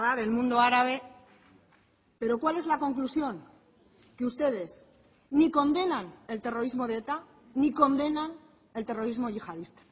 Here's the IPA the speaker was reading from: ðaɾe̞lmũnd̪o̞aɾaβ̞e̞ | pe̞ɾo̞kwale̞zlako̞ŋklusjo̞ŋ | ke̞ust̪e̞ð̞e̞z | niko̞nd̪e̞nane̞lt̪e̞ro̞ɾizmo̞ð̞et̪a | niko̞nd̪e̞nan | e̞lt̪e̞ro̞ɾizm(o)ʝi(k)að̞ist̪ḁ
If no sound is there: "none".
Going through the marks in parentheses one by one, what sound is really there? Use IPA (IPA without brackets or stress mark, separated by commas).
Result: o, x